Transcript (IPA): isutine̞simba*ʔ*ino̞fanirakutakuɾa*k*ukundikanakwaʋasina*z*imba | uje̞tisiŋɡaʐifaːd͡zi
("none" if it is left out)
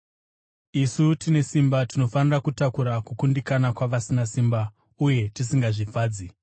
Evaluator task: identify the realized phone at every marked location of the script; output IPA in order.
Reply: t, k, s

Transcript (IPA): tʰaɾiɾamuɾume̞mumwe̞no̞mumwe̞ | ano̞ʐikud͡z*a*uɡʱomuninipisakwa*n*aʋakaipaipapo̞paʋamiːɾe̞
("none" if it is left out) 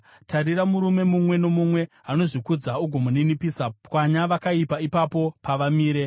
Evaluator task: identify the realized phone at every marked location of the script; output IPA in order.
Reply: a, ɲ

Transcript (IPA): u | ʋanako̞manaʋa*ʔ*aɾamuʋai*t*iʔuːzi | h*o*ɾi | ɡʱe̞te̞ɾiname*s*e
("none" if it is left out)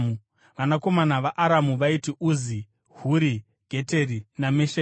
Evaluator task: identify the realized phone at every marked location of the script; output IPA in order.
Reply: ʔ, t, u, ʃ

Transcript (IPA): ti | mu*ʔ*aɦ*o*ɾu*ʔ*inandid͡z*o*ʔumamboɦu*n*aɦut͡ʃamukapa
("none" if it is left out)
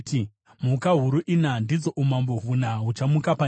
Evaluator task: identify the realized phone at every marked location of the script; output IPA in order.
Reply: k, u, ʔ, o, n

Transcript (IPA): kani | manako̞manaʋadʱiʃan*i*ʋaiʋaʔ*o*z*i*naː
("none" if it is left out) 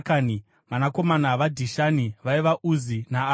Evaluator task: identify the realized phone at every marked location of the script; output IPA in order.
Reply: i, u, i

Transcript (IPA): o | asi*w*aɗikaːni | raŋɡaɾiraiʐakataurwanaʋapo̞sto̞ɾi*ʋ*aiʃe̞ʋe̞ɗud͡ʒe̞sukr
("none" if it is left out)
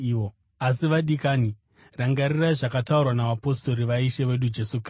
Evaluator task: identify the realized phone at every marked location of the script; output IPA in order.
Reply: ʋ, ʋ

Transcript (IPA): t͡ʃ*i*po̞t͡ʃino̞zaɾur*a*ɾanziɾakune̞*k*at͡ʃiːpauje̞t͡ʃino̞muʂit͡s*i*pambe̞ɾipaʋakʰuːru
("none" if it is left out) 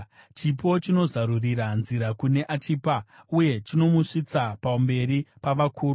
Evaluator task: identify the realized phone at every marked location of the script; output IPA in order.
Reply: i, i, ʔ, a

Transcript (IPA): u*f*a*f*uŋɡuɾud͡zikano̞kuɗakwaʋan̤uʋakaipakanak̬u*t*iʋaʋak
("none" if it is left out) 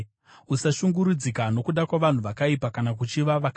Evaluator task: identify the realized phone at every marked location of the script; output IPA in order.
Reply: s, ʃ, t͡ʃ

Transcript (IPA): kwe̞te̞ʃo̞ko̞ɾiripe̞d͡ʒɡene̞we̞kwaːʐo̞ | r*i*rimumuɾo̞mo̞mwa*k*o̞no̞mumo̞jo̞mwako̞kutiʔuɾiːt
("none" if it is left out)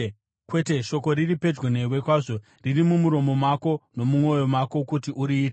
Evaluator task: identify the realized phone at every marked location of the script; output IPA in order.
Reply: i, k

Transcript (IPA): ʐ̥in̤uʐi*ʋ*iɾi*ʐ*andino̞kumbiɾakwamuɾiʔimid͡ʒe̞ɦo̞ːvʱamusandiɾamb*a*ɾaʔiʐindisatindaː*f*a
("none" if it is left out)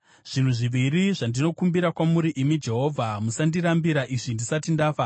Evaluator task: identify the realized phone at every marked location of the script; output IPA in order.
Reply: ʋ, ʐ, i, f

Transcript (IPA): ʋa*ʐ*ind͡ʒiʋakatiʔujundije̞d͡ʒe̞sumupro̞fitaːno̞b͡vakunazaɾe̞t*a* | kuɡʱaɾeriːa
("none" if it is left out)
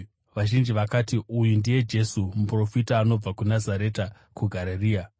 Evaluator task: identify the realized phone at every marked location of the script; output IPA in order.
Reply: ʒ, a

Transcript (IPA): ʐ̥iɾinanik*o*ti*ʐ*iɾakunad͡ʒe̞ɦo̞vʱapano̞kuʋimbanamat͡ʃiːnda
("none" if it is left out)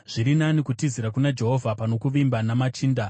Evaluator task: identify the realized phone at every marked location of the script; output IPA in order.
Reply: u, z

